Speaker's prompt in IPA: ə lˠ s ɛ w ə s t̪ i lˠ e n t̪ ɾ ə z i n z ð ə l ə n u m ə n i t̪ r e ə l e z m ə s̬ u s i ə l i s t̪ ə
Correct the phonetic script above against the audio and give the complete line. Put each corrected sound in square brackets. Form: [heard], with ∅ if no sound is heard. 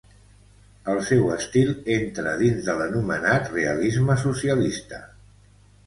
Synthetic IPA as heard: ə lˠ s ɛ w ə s t̪ i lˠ e n t̪ ɾ ə [ð] i n z ð ə l ə n u m ə n [a] t̪ r e ə l [i] z m ə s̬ u s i ə l i s t̪ ə